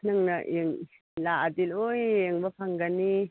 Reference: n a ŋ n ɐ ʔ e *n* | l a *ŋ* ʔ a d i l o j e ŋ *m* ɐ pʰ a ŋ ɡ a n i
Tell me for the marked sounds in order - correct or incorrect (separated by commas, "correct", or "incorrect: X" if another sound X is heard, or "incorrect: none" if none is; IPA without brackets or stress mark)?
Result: incorrect: ŋ, incorrect: none, incorrect: b